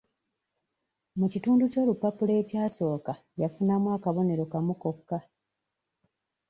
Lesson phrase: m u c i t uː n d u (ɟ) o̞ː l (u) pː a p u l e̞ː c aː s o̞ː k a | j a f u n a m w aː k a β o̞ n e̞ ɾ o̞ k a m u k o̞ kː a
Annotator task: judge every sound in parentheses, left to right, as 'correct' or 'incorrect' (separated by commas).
incorrect, correct